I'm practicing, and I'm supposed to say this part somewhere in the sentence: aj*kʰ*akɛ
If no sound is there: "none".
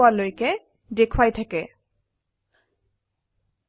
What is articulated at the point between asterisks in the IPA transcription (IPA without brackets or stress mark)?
tʰ